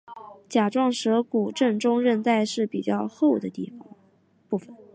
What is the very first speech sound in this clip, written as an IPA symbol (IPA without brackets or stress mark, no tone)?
t͡ɕ